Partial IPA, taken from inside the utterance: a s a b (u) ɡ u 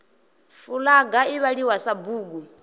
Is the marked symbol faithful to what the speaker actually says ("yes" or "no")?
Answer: no